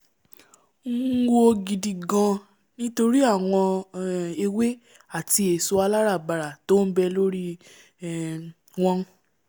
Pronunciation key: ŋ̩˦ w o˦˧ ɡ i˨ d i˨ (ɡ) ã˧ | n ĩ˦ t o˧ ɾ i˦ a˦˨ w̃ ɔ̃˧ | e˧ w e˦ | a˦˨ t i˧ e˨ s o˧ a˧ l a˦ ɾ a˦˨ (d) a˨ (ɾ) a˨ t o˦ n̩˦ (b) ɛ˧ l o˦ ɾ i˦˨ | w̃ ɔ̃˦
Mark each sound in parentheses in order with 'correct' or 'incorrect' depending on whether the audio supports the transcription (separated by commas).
correct, incorrect, correct, correct